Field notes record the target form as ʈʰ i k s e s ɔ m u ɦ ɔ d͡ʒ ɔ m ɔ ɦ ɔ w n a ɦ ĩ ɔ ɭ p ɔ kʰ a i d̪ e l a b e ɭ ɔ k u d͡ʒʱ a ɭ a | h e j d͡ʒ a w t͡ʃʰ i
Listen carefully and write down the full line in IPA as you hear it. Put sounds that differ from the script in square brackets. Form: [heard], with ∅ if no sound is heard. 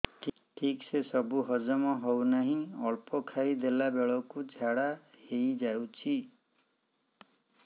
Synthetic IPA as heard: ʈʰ i k s e s ɔ [b] u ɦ ɔ d͡ʒ ɔ m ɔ ɦ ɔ w n a ɦ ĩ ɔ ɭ p ɔ kʰ a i d̪ e l a b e ɭ ɔ k u d͡ʒʱ a [ɽ] a | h e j d͡ʒ a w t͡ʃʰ i

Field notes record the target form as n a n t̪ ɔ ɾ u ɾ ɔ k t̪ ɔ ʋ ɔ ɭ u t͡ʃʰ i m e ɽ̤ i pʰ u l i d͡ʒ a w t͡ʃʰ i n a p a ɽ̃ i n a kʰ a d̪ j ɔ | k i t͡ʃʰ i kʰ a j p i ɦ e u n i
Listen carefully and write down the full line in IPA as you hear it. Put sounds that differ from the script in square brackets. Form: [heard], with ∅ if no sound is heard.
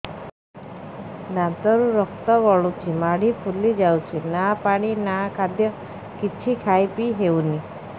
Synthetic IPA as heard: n a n t̪ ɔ ɾ u ɾ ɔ k t̪ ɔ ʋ ɔ ɭ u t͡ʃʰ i m [a] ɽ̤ i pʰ u l i d͡ʒ a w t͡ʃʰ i n a p a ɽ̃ i n a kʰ a d̪ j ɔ | k i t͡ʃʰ i kʰ a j p i ɦ e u n i

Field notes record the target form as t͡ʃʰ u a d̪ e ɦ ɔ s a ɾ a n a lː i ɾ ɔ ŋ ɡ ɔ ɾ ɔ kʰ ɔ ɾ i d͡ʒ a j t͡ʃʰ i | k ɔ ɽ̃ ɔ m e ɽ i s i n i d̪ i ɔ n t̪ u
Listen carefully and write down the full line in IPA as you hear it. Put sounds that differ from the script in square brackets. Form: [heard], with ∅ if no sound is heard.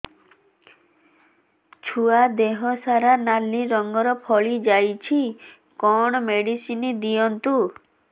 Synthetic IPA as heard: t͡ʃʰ u a d̪ e ɦ ɔ s a ɾ a n a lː i ɾ ɔ ŋ ɡ ɔ ɾ ɔ [pʰ] ɔ [ɭ] i d͡ʒ a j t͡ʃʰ i | k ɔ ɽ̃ ɔ m e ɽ i s i n i d̪ i ɔ n t̪ u

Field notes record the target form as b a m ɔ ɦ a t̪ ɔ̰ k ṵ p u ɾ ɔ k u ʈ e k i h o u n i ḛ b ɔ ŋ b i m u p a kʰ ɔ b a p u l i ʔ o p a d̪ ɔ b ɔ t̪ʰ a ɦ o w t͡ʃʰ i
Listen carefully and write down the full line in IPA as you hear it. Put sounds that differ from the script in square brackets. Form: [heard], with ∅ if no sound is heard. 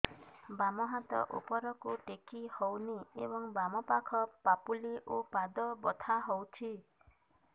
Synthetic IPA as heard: b a m ɔ ɦ a t̪ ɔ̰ [ʔ] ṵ p [ɔ] ɾ ɔ k u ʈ e k i h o [w] n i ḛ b ɔ ŋ b [a] m [ɔ] p a kʰ ɔ [p] a p u l i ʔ o p a d̪ ɔ b ɔ t̪ʰ a ɦ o w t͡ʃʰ i

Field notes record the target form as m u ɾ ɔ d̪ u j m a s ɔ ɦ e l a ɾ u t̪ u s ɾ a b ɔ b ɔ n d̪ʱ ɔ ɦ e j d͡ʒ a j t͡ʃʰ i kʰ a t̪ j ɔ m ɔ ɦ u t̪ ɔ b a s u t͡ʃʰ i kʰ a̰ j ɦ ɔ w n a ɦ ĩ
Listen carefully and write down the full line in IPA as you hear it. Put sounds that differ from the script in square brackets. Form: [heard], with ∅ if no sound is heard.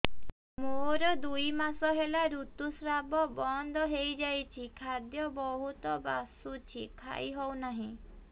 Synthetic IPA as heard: m [o] ɾ ɔ d̪ u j m a s ɔ ɦ e l a ɾ u t̪ u s ɾ a b ɔ b ɔ n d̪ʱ ɔ ɦ e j d͡ʒ a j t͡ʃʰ i kʰ a [d̪] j ɔ [b] ɔ ɦ u t̪ ɔ b a s u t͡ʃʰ i kʰ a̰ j ɦ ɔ w n a ɦ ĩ

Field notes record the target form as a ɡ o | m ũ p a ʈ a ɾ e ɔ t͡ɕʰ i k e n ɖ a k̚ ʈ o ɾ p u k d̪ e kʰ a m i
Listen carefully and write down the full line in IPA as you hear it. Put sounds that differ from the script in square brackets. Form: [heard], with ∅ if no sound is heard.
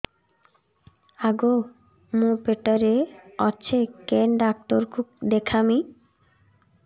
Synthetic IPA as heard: a ɡ o | m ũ p [e] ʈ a ɾ e ɔ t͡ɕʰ [e] k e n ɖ a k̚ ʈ o ɾ [k] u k d̪ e kʰ a m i

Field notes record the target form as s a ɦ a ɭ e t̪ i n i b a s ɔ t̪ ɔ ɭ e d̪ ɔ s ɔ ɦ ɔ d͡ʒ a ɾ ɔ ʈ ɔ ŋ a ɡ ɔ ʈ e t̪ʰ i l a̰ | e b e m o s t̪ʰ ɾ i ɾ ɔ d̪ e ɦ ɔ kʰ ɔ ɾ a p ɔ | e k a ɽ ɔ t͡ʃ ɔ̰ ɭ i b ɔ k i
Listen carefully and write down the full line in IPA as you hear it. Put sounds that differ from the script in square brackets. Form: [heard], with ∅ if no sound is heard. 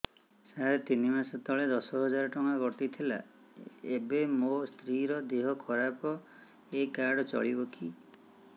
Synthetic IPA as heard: s a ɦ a [ɾ] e t̪ i n i [m] a s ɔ t̪ ɔ ɭ e d̪ ɔ s ɔ ɦ ɔ d͡ʒ a ɾ ɔ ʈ ɔ ŋ a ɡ ɔ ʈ [i] t̪ʰ i l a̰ | e b e m o s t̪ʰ ɾ i ɾ ɔ d̪ e ɦ ɔ kʰ ɔ ɾ a p ɔ | e k a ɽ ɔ t͡ʃ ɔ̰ ɭ i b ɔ k i

